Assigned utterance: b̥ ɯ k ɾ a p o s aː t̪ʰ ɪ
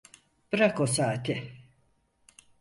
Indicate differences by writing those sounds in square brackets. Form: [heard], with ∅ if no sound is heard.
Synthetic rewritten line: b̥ ɯ [∅] ɾ a [k] o s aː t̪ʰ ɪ